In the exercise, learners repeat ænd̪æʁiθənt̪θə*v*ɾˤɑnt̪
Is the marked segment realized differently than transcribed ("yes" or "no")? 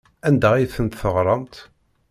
yes